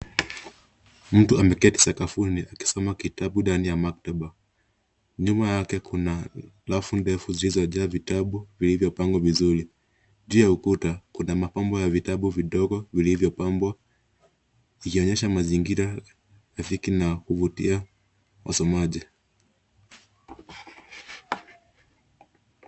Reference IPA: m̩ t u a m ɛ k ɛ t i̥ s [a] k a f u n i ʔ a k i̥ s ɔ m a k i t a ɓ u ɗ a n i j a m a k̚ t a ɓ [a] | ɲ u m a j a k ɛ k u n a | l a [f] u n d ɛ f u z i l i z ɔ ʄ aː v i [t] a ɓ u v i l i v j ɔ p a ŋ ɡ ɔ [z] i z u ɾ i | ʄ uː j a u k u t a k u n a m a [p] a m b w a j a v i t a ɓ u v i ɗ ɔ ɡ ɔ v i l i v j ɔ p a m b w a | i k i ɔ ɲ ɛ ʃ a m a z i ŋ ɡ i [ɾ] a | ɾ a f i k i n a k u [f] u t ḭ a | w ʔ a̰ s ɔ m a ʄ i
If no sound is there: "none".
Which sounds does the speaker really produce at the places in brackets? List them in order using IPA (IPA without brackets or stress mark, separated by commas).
a, a, f, t, v, p, ɾ, v